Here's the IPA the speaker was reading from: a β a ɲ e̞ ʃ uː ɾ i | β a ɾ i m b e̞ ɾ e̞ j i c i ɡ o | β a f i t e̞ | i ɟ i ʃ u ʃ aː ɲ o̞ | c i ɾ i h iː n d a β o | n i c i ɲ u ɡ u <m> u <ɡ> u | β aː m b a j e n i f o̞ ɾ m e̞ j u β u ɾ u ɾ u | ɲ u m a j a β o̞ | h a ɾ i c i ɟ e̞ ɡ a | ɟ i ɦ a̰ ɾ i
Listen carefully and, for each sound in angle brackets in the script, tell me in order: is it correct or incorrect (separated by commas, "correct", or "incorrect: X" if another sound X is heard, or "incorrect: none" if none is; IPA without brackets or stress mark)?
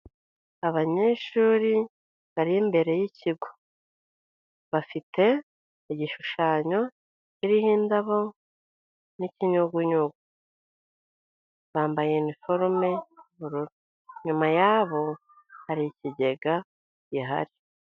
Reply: incorrect: ɲ, correct